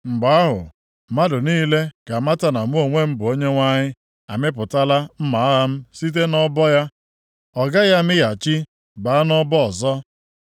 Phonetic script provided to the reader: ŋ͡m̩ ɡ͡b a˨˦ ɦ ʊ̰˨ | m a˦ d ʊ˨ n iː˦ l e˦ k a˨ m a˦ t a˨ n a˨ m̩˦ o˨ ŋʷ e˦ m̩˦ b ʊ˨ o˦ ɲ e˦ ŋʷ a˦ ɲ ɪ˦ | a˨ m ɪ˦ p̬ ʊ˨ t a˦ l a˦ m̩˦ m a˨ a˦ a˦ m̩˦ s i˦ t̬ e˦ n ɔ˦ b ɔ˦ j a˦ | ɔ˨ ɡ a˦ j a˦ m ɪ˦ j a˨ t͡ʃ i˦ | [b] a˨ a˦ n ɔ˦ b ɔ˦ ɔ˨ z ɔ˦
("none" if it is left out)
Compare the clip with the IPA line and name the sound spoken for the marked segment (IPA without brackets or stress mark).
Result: b